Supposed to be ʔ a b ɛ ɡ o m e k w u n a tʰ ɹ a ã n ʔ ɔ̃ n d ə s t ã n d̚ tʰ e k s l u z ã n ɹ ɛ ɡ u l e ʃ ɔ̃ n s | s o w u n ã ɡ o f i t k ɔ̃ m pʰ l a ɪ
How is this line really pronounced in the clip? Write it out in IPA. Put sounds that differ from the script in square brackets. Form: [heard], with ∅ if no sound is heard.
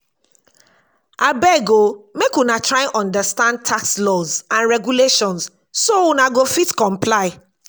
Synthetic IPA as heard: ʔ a b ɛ ɡ o m e k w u n a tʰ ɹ a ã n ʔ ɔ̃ n d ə s t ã n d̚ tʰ [a] k s l [ɔ] z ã n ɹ ɛ ɡ u l e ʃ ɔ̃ n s | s o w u n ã ɡ o f i t k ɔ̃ m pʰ l a ɪ